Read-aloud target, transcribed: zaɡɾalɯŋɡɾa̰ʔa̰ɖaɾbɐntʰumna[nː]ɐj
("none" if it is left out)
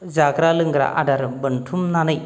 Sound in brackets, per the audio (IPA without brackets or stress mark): n